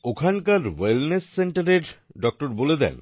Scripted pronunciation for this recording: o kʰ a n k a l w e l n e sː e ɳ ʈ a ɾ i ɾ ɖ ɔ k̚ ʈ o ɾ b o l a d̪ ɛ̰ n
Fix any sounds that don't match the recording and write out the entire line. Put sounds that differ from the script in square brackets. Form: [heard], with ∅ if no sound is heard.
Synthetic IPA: o kʰ a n k a [ɾ] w e l n e sː e ɳ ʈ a ɾ [e] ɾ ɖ ɔ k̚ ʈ o ɾ b o l [e] d̪ ɛ̰ n